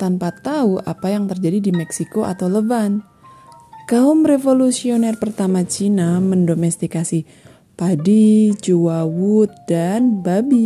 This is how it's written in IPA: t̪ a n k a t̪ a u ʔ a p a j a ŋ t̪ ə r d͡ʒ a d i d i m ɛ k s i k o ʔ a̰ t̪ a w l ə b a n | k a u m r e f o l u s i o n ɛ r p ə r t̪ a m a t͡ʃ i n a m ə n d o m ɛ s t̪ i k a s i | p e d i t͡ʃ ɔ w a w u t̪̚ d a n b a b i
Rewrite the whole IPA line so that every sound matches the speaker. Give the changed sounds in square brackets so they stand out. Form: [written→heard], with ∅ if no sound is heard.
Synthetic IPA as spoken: t̪ a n [k→p] a t̪ a u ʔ a p a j a ŋ t̪ ə r d͡ʒ a d i d i m ɛ k s i k o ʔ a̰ t̪ a w l ə b a n | k a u m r e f o l u s i o n ɛ r p ə r t̪ a m a t͡ʃ i n a m ə n d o m ɛ s t̪ i k a s i | p [e→a] d i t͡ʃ [ɔ→u] w a w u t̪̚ d a n b a b i